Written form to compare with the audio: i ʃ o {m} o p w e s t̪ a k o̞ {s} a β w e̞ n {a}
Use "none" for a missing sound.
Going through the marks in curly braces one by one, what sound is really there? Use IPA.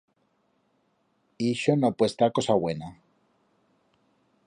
n, s, a

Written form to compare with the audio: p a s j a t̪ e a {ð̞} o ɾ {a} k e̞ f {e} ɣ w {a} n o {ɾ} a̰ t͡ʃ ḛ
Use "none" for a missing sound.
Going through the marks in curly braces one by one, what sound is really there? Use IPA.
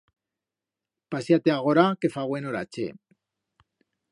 ɣ̞, a, a, e, ɾ

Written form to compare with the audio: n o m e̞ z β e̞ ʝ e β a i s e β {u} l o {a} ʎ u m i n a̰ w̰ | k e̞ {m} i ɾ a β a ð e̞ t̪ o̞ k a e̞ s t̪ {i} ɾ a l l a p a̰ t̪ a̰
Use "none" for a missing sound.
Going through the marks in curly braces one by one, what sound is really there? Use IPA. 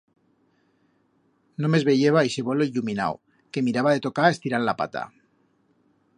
o, i, m, i

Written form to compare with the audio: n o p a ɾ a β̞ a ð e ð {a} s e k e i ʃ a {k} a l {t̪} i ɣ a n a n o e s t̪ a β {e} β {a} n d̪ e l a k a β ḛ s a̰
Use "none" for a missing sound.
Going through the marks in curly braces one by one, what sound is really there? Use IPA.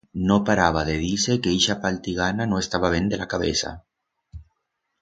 i, p, t̪, a, e

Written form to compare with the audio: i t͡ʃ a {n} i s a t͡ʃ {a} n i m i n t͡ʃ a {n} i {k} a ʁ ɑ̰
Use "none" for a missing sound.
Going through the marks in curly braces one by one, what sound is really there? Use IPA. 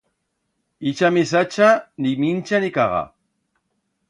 m, a, n, k

